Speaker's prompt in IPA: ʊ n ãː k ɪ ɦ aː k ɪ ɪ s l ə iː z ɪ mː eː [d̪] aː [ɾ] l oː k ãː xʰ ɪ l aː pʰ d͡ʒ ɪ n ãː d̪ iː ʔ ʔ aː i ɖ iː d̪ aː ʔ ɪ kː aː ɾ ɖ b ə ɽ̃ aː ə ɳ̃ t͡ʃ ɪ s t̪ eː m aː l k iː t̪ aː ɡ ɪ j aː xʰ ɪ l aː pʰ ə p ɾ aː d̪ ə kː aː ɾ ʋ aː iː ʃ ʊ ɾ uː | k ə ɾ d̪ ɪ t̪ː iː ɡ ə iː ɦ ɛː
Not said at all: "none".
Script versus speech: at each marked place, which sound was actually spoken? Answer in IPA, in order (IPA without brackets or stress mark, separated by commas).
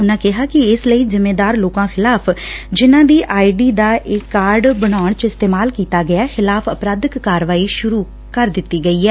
d̪, ɾ